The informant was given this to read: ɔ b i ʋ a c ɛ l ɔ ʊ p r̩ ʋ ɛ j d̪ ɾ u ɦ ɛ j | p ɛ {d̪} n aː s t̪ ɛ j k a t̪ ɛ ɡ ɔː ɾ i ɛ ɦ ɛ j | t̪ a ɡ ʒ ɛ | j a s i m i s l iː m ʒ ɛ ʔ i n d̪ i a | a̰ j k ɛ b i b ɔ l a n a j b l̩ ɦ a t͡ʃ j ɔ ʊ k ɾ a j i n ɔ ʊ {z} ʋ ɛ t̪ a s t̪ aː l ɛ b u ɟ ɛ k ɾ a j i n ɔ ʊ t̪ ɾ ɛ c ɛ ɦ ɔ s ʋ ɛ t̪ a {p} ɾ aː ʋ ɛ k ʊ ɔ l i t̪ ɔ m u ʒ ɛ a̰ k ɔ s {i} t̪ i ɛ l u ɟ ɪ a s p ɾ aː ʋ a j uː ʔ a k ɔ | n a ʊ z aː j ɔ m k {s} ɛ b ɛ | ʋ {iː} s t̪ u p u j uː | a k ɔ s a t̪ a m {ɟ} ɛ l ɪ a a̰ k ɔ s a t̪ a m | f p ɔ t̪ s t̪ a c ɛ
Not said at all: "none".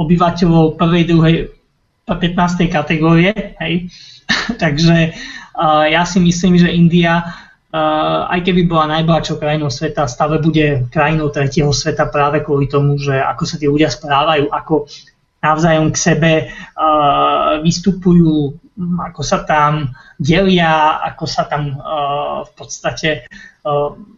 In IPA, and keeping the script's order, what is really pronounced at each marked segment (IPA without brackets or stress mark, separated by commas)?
t̪, s, p, a, s, i, ɟ